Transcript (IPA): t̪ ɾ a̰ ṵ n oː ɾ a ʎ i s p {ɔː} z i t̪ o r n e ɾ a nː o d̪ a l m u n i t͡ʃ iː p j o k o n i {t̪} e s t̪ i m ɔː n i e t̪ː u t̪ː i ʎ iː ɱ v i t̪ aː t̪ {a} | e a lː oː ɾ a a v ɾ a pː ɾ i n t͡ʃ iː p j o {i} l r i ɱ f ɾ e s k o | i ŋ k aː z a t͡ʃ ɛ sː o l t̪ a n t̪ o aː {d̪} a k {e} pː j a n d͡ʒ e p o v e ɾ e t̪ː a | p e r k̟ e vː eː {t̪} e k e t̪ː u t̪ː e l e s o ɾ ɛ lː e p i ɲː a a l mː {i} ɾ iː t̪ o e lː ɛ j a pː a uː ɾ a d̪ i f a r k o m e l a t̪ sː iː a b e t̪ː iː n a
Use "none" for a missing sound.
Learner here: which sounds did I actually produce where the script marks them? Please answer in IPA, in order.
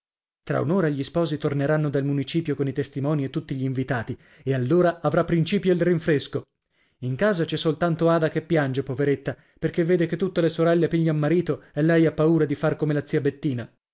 ɔː, t̪, i, i, d̪, e, d̪, a

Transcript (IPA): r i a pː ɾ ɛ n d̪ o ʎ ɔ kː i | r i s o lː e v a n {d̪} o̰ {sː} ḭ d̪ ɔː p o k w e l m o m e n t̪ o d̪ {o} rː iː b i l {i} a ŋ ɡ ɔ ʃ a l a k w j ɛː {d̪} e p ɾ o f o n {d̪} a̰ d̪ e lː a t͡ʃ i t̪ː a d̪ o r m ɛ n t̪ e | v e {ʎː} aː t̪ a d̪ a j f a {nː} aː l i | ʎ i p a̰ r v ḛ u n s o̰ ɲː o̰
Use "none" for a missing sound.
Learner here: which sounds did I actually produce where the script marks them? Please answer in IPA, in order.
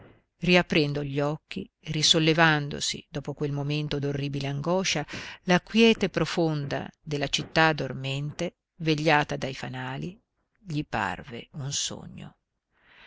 d̪, s, o, e, t̪, d̪, ʎː, n

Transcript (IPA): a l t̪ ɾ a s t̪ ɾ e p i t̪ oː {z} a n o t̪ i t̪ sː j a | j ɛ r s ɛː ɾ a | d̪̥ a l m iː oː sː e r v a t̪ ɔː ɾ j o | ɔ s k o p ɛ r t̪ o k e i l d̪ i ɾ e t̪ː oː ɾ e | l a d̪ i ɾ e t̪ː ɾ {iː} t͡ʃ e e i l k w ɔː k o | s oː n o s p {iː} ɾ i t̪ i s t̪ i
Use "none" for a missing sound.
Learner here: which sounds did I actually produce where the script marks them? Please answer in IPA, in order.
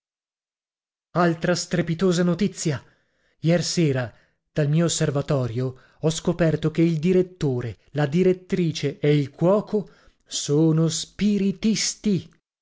z, iː, i

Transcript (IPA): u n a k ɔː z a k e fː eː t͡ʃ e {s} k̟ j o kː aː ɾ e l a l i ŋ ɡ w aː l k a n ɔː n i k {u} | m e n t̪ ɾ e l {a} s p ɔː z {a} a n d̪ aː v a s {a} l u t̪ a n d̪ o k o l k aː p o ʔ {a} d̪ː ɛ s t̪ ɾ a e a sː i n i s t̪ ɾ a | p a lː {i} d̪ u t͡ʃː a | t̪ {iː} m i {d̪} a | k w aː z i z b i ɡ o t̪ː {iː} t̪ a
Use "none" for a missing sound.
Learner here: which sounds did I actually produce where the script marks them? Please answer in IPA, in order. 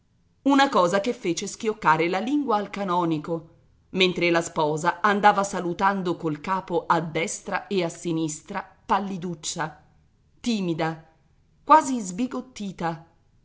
s, o, a, a, a, a, i, iː, d̪, iː

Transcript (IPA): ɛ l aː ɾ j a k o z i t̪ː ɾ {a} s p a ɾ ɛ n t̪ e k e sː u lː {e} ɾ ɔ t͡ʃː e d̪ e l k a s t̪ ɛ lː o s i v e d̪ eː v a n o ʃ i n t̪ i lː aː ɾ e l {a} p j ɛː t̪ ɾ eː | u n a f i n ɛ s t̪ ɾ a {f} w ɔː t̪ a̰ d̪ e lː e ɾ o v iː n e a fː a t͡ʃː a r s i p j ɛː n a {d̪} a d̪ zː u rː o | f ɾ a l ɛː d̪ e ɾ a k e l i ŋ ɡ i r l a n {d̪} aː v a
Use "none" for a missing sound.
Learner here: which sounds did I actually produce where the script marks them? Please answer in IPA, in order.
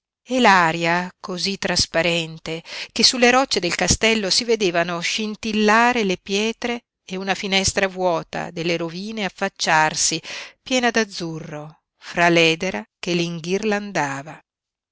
a, e, e, v, d̪, d̪

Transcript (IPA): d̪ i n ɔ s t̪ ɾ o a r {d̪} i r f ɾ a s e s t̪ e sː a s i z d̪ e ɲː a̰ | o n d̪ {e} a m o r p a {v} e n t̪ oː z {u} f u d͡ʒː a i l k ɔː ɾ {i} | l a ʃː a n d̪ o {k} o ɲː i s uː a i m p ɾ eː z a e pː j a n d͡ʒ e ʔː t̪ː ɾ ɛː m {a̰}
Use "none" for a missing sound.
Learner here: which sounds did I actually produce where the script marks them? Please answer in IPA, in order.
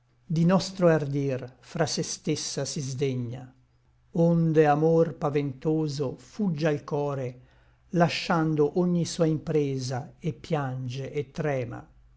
d̪, e, v, o, e, ʔ, a̰

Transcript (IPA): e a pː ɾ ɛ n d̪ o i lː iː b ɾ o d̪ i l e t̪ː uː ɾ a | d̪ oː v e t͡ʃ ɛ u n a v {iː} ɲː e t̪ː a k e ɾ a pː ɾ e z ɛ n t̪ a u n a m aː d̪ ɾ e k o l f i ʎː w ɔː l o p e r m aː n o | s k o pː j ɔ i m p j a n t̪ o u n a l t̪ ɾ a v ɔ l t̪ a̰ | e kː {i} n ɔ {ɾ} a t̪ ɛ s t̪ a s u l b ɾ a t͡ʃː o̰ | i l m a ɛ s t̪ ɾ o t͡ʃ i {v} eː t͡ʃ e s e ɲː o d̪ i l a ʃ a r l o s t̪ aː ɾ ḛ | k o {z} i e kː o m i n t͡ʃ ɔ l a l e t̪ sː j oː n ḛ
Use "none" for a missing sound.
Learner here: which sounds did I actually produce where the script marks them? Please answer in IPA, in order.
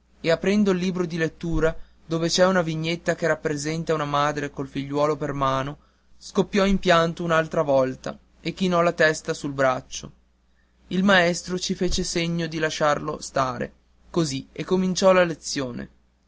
i, i, l, f, z

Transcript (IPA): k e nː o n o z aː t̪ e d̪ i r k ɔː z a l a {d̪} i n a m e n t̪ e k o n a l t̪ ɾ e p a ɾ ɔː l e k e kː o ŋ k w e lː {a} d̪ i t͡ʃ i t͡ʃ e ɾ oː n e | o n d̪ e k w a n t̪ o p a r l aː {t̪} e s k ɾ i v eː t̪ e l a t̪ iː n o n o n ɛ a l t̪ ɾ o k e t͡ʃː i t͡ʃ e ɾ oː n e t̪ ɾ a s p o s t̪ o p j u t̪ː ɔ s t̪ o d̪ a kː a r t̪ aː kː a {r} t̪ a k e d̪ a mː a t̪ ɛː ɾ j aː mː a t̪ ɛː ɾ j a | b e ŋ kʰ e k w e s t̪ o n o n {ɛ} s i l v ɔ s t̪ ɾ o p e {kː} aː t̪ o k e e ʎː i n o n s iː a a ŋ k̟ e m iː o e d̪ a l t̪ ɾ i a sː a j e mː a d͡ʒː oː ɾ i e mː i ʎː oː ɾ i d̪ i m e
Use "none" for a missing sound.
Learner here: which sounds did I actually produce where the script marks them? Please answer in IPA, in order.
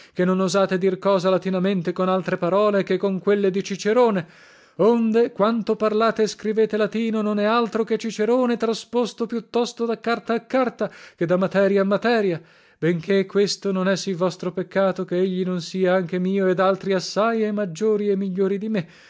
t̪, e, t̪, r, ɛ, kː

